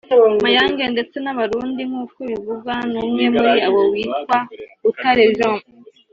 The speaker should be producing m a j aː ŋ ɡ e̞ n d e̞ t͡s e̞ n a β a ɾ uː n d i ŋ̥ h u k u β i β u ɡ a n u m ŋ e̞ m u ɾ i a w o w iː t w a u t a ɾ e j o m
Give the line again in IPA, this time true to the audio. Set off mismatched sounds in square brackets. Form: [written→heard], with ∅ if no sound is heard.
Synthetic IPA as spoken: m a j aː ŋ ɡ e̞ n d e̞ t͡s e̞ n a β a ɾ uː n d i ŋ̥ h u k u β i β u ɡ a n u m ŋ e̞ m u ɾ i a w o w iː t w a u t a ɾ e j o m